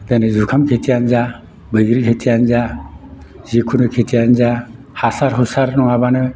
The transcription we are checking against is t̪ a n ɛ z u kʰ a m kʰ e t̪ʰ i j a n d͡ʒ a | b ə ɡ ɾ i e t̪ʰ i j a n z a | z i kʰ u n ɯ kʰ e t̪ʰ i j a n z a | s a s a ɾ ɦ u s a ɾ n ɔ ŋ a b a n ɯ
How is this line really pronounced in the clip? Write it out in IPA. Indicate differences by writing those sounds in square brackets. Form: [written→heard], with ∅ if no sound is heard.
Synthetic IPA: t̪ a n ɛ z u kʰ a m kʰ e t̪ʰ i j a n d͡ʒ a | b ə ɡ ɾ i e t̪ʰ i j a n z a | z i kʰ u n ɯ kʰ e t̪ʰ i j a n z a | [s→h] a s a ɾ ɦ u s a ɾ n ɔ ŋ a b a n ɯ

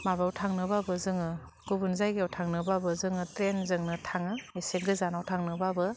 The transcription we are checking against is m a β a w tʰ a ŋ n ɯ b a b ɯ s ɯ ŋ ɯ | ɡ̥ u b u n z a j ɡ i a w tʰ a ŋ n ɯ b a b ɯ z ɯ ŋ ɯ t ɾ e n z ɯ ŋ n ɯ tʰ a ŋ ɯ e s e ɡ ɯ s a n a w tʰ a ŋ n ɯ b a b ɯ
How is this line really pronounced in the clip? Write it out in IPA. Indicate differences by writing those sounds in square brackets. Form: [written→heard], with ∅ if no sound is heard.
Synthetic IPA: m a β a w tʰ a ŋ n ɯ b a b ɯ [s→z] ɯ ŋ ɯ | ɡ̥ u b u n z a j ɡ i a w tʰ a ŋ n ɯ b a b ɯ z ɯ ŋ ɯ t ɾ e n z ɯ ŋ n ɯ tʰ a ŋ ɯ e s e ɡ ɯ [s→z] a n a w tʰ a ŋ n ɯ b a b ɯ

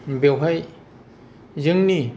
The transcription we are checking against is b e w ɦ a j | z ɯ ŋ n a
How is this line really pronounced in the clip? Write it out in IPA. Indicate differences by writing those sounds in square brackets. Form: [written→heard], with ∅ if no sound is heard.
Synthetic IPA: b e w ɦ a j | z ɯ ŋ n [a→i]

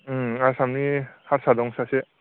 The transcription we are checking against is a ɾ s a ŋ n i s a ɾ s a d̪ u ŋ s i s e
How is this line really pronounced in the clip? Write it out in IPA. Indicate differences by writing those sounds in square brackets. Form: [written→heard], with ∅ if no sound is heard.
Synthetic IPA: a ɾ s a [ŋ→m] n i [s→h] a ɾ s a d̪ [u→ɔ] ŋ s [i→a] s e

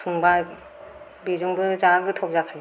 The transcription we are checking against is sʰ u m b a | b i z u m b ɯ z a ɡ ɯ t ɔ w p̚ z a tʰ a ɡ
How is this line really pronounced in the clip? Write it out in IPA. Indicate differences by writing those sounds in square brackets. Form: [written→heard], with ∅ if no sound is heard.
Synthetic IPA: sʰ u [m→ŋ] b a | b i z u [m→ŋ] b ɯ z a ɡ ɯ [t→tʰ] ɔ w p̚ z a [tʰ→kʰ] a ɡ

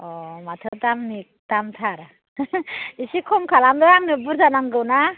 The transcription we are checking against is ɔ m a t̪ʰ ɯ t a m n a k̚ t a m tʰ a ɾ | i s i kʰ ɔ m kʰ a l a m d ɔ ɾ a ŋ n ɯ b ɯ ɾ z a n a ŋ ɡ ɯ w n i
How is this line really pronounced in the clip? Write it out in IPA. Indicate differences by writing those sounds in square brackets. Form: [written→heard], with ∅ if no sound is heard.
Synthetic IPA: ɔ m a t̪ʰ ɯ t a m n [a→i] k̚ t a m tʰ a ɾ | i s i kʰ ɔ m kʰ a l a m d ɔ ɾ a ŋ n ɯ b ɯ ɾ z a n a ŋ ɡ ɯ w n [i→a]

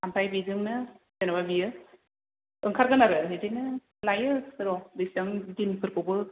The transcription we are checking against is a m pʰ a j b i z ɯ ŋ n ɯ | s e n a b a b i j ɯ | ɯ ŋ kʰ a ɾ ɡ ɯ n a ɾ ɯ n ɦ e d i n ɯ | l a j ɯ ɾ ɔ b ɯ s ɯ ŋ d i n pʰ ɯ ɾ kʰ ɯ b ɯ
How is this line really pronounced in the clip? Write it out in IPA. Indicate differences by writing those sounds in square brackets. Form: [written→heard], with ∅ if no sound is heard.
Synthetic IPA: a m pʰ a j b i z ɯ ŋ n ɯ | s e n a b a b i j ɯ | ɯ ŋ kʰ a ɾ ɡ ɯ n a ɾ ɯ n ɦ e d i n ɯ | l a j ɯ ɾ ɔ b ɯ s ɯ ŋ d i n pʰ ɯ ɾ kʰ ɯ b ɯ

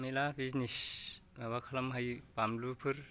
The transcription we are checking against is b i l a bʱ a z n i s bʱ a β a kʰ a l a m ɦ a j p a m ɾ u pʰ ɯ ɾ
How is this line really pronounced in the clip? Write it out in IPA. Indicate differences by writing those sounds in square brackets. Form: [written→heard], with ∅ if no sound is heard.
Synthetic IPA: [b→m] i l a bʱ [a→i] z n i s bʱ a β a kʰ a l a m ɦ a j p a m [ɾ→l] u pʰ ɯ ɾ

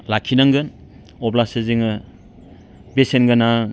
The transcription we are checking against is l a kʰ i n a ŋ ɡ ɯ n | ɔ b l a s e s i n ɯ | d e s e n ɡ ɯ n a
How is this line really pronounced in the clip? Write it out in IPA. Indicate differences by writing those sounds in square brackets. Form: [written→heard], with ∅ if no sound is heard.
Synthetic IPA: l a kʰ i n a ŋ ɡ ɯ n | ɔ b l a s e [s→z] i [n→ŋ] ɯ | [d→b] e s e n ɡ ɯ n a

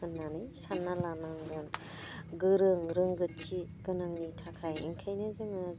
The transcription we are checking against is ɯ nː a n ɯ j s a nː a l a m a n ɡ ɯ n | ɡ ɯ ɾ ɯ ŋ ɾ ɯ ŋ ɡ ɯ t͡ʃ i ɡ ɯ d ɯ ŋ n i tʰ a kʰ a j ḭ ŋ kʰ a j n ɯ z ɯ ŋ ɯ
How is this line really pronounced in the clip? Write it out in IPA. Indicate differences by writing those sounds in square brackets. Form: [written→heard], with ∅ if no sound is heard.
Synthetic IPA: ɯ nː a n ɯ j s a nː a l a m a [n→ŋ] ɡ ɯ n | ɡ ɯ ɾ ɯ ŋ ɾ ɯ ŋ ɡ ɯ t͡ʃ i ɡ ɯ [d→n] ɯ ŋ n i tʰ a kʰ a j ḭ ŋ kʰ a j n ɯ z ɯ ŋ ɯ

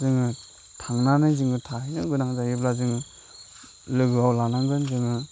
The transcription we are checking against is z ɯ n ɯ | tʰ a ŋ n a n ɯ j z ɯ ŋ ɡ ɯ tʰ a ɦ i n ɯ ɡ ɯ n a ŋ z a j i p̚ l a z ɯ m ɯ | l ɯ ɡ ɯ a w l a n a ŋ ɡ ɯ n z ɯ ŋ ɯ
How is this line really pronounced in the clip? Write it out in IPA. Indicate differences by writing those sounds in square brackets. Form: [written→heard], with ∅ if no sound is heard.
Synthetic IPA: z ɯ [n→ŋ] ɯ | tʰ a ŋ n a n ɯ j z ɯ ŋ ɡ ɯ tʰ a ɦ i n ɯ ɡ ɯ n a ŋ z a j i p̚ l a z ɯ [m→ŋ] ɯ | l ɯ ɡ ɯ a w l a n a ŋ ɡ ɯ n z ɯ ŋ ɯ

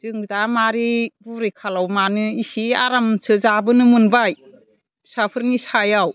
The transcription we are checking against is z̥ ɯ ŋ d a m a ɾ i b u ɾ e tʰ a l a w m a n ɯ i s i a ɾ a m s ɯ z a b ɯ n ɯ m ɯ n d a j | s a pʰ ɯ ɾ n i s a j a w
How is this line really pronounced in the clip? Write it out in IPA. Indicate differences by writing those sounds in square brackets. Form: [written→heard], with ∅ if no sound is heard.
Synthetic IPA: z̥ ɯ ŋ d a m a ɾ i b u ɾ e [tʰ→kʰ] a l a w m a n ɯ i s i a ɾ a m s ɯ z a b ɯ n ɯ m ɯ n [d→b] a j | s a pʰ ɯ ɾ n i s a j a w

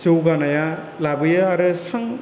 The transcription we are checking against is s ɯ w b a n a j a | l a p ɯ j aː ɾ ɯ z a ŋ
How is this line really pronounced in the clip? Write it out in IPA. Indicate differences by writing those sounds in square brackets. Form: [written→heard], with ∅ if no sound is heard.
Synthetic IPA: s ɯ w [b→ɡ] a n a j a | l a [p→b] ɯ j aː ɾ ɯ [z→s] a ŋ

